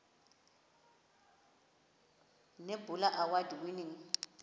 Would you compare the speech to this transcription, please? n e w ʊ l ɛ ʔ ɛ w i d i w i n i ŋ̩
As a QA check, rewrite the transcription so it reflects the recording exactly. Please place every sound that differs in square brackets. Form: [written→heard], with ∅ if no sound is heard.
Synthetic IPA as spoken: n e [w→b] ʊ l [ɛ→a] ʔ [ɛ→a] w [i→a] d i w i n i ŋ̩